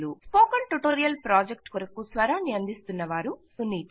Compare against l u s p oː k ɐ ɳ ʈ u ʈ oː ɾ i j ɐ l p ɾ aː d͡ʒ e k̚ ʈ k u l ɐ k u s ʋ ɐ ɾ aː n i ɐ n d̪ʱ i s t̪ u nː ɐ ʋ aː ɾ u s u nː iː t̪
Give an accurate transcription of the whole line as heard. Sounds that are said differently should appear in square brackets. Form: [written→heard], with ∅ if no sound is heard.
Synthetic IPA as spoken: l u s p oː k ɐ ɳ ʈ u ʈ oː ɾ i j ɐ l p ɾ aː d͡ʒ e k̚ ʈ k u [l→ɾ] ɐ k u s ʋ ɐ ɾ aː n i ɐ n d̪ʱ i s t̪ u nː ɐ ʋ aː ɾ u s u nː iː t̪